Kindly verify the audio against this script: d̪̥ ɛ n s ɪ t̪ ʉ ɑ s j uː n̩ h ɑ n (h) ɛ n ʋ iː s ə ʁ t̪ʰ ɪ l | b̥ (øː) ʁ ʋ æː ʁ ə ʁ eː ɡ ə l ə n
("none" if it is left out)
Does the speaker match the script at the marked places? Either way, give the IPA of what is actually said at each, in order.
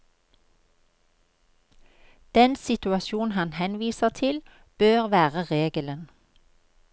h, øː

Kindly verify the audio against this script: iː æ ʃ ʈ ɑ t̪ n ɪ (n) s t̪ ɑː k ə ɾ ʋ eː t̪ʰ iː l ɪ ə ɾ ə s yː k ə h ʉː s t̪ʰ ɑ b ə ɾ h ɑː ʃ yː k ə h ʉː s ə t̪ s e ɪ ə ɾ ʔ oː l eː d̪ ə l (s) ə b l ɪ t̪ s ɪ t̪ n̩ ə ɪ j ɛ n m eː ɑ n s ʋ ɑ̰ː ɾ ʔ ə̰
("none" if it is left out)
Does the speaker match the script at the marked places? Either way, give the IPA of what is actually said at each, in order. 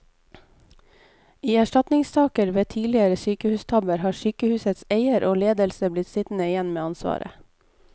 ŋ, s

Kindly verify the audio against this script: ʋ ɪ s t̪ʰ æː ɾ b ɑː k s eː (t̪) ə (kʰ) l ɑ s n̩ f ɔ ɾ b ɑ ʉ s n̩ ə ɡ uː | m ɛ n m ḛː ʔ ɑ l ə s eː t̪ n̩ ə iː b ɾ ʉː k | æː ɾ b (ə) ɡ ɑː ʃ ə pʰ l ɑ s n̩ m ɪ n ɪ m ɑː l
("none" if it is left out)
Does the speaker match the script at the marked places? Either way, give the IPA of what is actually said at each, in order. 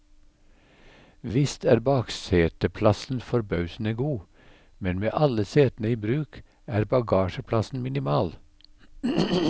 t̪, pʰ, ɑ

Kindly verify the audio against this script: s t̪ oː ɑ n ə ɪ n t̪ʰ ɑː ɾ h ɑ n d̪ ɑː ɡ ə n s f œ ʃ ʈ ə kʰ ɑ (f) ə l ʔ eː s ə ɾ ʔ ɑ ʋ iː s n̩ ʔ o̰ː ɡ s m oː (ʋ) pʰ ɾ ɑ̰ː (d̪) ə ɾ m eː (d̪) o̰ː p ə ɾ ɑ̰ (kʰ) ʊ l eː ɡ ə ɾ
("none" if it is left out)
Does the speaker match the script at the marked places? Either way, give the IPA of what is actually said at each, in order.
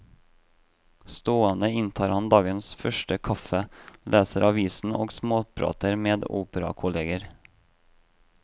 f, none, t̪, d̪, kʰ

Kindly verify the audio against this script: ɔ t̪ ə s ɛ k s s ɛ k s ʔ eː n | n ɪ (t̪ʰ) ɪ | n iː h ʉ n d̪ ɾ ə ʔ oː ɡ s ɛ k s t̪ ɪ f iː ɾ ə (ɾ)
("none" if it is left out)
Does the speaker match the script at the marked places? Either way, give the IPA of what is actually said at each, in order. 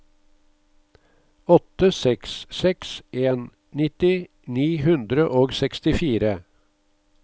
t̪, none

